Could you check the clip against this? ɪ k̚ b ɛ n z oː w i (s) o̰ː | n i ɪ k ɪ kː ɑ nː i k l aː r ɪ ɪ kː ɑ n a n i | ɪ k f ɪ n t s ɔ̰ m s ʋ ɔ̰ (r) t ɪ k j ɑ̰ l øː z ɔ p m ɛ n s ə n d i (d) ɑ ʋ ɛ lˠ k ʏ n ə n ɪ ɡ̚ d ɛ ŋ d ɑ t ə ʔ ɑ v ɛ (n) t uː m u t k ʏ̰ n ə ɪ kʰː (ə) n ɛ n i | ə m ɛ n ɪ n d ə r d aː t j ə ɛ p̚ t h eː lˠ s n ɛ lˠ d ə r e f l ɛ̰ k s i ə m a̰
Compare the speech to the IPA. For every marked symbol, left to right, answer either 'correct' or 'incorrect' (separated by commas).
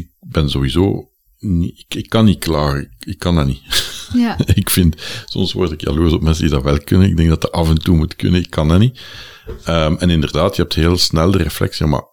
incorrect, correct, correct, correct, incorrect